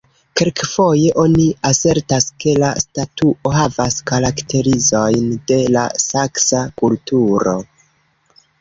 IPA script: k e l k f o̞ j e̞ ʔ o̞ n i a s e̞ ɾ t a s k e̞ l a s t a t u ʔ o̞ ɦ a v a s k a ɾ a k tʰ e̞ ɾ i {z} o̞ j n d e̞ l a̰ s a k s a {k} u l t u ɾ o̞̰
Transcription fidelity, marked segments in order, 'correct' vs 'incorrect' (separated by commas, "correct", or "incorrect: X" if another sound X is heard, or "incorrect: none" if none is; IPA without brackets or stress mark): correct, correct